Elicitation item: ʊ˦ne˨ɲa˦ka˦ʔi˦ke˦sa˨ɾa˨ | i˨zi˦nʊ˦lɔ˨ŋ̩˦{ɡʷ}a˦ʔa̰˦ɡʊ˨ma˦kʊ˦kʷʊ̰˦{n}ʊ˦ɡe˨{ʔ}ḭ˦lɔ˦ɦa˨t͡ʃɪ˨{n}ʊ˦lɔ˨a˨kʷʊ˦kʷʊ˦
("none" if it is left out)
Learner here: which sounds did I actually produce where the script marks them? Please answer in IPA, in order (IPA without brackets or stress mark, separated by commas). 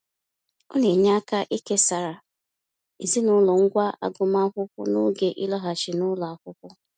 ɡʷ, n, ʔ, n